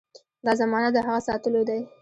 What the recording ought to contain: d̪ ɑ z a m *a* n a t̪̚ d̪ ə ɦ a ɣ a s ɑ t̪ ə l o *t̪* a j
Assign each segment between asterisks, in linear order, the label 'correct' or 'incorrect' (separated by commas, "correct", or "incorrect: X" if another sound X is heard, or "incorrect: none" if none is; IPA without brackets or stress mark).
incorrect: ɑ, incorrect: d̪